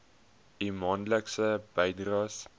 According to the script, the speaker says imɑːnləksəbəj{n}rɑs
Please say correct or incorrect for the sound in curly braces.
incorrect